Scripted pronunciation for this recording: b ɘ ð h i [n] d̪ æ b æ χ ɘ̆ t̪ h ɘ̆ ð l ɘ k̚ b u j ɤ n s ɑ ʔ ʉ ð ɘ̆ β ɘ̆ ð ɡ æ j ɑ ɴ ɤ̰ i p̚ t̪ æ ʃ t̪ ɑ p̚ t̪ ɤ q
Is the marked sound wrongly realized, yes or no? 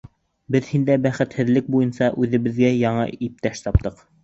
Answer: no